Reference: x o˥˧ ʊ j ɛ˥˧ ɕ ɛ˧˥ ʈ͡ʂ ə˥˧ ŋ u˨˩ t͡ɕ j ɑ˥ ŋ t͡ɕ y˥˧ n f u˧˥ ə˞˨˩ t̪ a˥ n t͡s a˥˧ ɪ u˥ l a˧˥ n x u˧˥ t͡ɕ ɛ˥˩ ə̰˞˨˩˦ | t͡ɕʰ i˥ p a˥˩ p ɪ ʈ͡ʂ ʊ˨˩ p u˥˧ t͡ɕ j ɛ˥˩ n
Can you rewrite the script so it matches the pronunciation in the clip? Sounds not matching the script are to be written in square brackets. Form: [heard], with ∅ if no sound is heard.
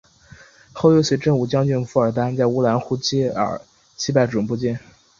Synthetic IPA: x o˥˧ ʊ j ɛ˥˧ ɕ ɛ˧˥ ʈ͡ʂ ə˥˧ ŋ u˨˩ t͡ɕ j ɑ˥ ŋ t͡ɕ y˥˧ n f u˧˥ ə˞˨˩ t̪ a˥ n t͡s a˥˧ ɪ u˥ l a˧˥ n x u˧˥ t͡ɕ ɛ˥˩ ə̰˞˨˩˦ | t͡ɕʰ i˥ p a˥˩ [∅] ɪ ʈ͡ʂ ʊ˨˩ p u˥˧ t͡ɕ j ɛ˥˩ n